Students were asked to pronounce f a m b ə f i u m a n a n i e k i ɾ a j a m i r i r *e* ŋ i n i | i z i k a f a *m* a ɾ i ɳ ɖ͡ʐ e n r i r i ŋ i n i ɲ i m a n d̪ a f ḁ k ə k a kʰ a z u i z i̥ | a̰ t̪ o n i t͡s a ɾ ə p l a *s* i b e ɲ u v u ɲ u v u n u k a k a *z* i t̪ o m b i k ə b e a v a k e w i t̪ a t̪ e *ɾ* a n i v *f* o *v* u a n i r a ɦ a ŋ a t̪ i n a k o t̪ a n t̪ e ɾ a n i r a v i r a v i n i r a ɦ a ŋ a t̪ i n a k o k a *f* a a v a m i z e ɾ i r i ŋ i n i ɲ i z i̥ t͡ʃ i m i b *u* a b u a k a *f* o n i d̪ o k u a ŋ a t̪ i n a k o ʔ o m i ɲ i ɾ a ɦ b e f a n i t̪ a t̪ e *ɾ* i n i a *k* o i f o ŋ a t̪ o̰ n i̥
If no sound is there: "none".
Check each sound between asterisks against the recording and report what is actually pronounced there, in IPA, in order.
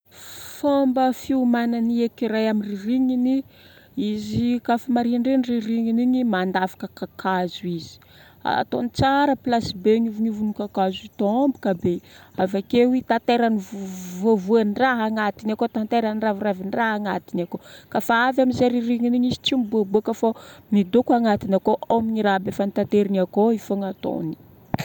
i, m, s, z, ɾ, v, v, f, u, f, ɾ, k

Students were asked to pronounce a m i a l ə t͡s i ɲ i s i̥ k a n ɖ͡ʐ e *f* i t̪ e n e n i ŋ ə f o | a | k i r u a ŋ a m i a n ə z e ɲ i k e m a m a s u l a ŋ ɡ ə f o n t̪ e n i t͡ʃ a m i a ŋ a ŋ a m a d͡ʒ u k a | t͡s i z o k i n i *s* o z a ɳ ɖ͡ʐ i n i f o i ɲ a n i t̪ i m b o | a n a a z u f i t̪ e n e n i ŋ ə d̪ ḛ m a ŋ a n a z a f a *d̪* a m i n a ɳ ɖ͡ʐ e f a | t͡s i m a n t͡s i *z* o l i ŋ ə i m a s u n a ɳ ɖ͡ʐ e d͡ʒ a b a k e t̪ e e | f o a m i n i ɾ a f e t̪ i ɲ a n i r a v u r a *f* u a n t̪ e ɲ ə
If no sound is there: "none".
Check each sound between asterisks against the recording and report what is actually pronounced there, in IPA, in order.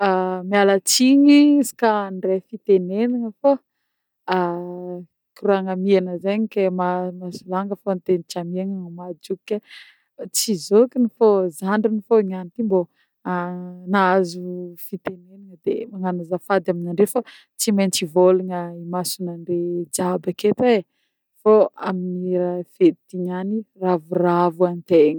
f, f, d̪, v, v

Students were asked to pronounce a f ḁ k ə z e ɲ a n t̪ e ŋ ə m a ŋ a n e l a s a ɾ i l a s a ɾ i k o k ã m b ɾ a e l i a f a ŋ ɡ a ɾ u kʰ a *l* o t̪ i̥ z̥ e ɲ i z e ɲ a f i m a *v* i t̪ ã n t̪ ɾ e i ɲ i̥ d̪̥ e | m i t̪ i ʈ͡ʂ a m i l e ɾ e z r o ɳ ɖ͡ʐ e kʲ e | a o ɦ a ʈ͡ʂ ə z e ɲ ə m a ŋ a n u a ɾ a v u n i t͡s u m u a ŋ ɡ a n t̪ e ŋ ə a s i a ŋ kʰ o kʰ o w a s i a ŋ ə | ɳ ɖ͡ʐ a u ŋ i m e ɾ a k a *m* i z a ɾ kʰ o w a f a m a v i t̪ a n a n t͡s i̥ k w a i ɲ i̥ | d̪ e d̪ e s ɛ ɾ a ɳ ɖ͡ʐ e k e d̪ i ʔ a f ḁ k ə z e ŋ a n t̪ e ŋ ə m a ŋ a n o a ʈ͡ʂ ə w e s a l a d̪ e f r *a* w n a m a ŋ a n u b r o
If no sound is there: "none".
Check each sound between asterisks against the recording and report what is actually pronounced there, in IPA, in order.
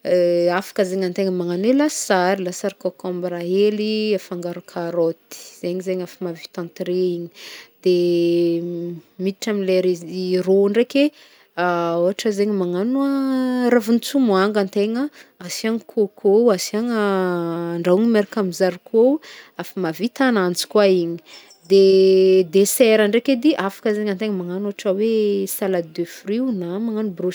ɾ, v, m, i

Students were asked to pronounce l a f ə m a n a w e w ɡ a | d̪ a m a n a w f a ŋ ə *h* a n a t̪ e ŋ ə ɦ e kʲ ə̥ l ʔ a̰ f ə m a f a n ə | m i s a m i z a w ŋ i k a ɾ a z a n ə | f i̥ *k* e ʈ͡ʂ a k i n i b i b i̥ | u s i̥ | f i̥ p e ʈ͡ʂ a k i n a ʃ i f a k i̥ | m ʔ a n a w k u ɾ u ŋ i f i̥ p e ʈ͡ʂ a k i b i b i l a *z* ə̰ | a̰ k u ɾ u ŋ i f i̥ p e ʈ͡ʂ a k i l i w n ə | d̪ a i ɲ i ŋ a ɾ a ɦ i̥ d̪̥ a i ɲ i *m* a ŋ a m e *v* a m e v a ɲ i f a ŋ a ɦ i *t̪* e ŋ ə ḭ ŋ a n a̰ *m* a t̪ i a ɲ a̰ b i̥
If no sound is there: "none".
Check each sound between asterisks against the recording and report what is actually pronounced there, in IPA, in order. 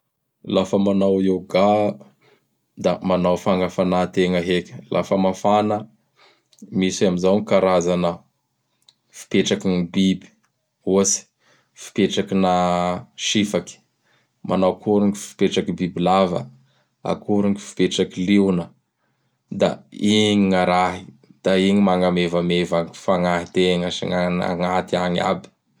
f, p, v, m, v, t̪, ŋ

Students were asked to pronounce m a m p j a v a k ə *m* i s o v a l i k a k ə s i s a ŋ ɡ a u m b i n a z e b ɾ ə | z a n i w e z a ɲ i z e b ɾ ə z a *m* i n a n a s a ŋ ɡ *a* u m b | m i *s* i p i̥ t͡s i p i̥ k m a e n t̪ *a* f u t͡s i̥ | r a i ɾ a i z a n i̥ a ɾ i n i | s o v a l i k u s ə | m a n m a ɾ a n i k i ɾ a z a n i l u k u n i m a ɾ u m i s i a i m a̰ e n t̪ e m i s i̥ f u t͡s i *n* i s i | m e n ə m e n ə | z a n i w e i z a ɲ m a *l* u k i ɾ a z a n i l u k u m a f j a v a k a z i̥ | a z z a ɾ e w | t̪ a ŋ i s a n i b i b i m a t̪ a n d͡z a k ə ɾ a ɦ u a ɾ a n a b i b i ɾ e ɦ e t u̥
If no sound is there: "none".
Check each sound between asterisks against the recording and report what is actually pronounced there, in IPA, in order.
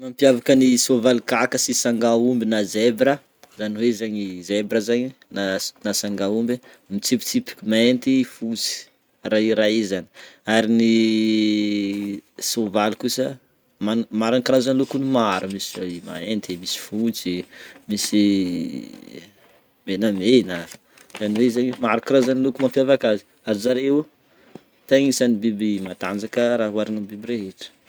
n, ɲ, a, t͡s, i, m, ɾ

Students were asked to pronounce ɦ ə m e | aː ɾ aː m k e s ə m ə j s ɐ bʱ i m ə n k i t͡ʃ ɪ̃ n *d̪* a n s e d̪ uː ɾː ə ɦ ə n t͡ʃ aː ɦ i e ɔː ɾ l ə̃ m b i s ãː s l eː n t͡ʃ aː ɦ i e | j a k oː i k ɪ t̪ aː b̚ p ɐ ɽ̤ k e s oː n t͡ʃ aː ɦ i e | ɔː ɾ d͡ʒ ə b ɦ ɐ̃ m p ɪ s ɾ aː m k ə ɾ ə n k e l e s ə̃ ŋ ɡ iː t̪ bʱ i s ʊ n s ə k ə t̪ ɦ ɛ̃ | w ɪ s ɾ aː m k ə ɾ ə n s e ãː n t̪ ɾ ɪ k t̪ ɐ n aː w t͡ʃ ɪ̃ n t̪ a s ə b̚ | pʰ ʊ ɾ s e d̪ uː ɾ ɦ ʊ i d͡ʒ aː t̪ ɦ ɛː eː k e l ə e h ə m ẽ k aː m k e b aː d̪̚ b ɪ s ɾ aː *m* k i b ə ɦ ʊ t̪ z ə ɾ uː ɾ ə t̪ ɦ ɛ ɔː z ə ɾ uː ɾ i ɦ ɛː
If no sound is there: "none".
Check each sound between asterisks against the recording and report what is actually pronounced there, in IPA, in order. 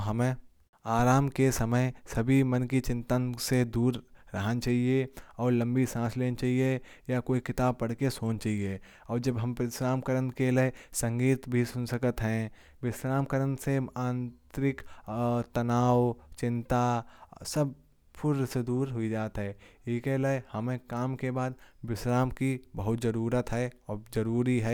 t̪, m

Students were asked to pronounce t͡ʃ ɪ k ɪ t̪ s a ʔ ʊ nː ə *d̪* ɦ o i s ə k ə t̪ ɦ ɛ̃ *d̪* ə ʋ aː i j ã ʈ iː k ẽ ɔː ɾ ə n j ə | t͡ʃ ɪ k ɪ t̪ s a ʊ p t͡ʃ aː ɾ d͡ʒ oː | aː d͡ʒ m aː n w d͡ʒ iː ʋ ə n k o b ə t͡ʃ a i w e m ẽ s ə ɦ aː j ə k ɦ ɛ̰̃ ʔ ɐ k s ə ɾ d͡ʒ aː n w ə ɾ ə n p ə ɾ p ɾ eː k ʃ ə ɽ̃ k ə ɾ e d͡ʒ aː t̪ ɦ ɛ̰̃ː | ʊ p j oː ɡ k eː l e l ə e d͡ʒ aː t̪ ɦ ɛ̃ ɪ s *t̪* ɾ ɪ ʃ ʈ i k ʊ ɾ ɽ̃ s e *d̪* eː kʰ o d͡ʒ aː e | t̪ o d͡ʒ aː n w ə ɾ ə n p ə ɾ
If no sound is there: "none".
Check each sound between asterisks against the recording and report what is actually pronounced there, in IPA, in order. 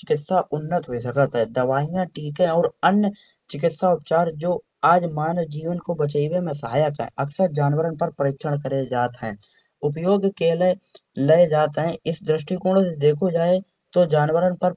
t̪, d̪, d̪, d̪

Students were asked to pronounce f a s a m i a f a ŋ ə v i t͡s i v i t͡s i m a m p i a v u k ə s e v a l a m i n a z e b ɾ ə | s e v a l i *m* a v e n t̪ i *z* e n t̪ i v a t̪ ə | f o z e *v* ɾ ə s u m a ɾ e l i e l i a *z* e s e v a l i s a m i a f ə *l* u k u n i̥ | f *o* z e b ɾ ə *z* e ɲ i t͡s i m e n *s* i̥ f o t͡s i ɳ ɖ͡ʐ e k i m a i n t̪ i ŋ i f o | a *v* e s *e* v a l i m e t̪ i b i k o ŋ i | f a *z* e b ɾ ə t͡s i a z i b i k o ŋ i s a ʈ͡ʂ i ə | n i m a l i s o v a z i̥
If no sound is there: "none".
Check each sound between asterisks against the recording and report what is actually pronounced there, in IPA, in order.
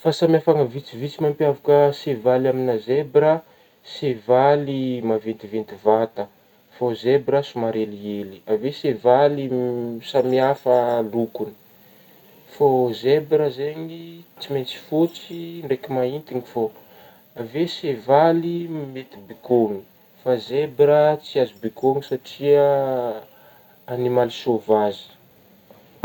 m, v, b, v, l, o, z, t͡s, v, e, z

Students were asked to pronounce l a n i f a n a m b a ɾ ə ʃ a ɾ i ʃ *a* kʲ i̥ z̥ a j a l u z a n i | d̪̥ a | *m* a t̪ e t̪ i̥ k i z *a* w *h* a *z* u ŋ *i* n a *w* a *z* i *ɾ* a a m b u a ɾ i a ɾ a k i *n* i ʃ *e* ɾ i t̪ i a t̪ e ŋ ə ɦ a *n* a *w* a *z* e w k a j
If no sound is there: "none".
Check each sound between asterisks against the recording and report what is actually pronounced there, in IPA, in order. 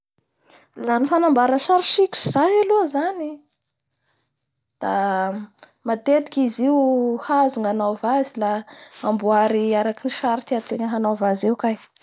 i, m, i, h, z, a, v, z, l, n, a, n, v, z

